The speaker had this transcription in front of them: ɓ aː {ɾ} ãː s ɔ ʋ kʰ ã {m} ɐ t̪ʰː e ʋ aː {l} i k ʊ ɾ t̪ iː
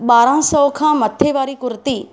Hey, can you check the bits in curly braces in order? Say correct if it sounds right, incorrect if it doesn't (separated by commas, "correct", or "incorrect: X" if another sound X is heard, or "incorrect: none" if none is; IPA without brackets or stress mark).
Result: correct, correct, incorrect: ɾ